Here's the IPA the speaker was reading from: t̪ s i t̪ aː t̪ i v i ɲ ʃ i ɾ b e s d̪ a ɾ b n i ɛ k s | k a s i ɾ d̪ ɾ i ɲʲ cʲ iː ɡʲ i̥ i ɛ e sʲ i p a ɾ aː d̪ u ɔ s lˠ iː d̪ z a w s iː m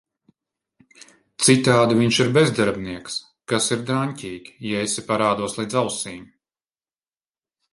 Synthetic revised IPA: t̪ s i t̪ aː d̪ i v i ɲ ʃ i ɾ b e z d̪ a ɾ b n i ɛ k s | k a s i ɾ d̪ ɾ a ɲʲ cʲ iː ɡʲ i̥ j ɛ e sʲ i p a ɾ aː d̪ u ɔ s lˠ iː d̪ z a w s iː m

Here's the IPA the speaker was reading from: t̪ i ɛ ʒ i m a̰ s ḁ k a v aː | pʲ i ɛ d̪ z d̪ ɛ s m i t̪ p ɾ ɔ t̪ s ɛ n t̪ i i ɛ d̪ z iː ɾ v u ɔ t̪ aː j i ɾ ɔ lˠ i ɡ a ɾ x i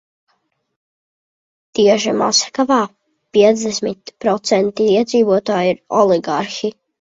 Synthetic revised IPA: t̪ i ɛ ʒ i m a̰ s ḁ k a v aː | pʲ i ɛ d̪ z d̪ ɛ s m i t̪ p ɾ ɔ t̪ s ɛ n t̪ i i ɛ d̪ z iː v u ɔ t̪ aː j i ɾ ɔ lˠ i ɡ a ɾ x i

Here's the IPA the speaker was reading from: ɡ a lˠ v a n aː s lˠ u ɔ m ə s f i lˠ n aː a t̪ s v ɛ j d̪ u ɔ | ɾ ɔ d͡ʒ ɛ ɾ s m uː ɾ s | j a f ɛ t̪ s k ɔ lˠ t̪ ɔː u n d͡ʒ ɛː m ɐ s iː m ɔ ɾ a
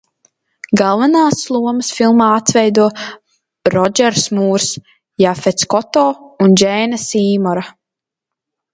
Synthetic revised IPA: ɡ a lˠ v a n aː s lˠ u ɔ m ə s f i lˠ m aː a t̪ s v ɛ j d̪ u ɔ | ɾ ɔ d͡ʒ ɛ ɾ s m uː ɾ s | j a f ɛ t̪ s k ɔ t̪ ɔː u n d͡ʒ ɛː n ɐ s iː m ɔ ɾ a

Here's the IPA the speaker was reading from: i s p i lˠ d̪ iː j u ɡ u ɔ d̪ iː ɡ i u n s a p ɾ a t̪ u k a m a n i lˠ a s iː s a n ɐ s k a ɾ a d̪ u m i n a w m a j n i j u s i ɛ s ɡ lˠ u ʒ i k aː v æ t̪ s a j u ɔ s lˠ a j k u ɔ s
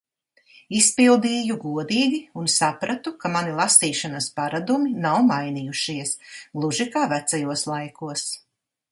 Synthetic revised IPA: i s p i lˠ d̪ iː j u ɡ u ɔ d̪ iː ɡ i u n s a p ɾ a t̪ u k a m a n i lˠ a s iː ʃ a n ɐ s p a ɾ a d̪ u m i n a w m a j n i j u ʃ i ɛ s ɡ lˠ u ʒ i k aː v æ t̪ s a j u ɔ s lˠ a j k u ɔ s

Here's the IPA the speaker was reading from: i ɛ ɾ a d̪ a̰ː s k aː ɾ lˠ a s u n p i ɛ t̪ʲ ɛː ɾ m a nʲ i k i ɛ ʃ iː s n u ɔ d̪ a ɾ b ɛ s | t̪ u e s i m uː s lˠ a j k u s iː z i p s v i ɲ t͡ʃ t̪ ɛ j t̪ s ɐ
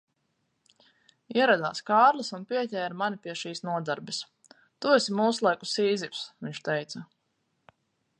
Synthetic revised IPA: i ɛ ɾ a d̪ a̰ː s k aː ɾ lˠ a s u n p i ɛ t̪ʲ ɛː ɾ m a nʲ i p i ɛ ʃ iː s n u ɔ d̪ a ɾ b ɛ s | t̪ u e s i m uː s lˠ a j k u s iː z i p s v i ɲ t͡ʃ t̪ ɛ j t̪ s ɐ

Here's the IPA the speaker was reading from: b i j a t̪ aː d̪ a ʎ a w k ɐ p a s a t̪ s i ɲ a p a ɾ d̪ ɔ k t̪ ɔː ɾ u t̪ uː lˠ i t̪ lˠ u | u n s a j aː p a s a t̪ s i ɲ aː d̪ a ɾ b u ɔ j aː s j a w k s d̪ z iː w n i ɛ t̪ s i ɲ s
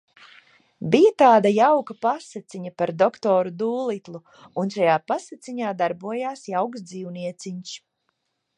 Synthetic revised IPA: b i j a t̪ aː d̪ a j a w k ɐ p a s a t̪ s i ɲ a p a ɾ d̪ ɔ k t̪ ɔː ɾ u d̪ uː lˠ i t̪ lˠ u | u n ʃ a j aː p a s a t̪ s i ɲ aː d̪ a ɾ b u ɔ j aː s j a w k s d̪ z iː w n i ɛ t̪ s i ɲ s

